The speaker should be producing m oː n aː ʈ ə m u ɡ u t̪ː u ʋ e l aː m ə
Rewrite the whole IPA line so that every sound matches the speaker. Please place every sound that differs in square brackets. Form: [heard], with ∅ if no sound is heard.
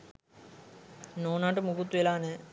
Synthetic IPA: [n] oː n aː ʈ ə m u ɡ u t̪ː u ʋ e l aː [n] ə